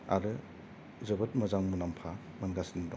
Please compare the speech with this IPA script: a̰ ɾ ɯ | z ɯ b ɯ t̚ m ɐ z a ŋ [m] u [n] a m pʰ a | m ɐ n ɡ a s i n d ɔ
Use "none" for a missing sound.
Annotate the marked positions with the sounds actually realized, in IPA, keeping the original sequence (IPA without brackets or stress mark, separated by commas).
m, n